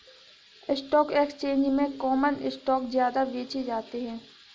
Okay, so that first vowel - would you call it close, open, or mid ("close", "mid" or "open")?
close